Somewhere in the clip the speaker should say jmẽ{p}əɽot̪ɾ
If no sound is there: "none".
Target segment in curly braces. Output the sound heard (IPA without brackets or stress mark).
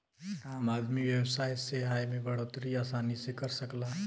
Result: b